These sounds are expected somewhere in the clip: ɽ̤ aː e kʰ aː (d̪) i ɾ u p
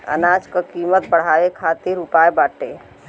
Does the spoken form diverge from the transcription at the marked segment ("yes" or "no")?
yes